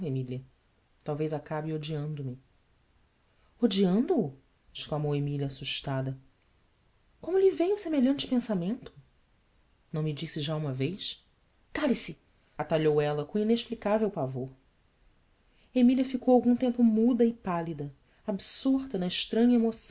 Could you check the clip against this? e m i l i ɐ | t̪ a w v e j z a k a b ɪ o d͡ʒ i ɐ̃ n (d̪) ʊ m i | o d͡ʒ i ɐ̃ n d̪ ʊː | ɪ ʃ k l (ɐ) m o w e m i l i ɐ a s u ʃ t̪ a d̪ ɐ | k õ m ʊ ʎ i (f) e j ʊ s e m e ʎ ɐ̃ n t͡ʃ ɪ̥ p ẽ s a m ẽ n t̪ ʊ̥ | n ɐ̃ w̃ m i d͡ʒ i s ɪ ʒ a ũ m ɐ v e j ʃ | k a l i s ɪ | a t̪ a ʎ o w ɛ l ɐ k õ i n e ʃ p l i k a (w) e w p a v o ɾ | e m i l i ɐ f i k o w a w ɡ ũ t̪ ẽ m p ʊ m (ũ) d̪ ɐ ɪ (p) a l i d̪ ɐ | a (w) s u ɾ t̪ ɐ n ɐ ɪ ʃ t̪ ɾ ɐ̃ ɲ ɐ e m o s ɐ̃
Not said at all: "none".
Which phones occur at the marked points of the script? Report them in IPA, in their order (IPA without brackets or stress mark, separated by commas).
d̪, a, v, v, u, p, b